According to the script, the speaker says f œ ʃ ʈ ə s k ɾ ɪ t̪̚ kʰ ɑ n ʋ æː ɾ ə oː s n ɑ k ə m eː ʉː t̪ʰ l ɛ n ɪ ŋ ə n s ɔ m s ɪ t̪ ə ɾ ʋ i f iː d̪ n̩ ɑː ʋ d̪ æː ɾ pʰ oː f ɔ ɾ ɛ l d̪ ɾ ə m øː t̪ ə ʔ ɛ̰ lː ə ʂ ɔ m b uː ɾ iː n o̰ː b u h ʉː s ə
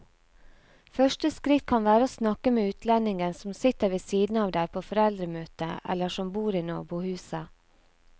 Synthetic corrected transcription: f œ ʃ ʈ ə s k ɾ ɪ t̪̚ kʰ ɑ n ʋ æː ɾ ə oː s n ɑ k ə m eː ʉː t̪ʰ l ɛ n ɪ ŋ ə n s ɔ m s ɪ t̪ ə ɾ ʋ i s iː d̪ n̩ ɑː ʋ d̪ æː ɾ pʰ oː f ɔ ɾ ɛ l d̪ ɾ ə m øː t̪ ə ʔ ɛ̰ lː ə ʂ ɔ m b uː ɾ iː n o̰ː b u h ʉː s ə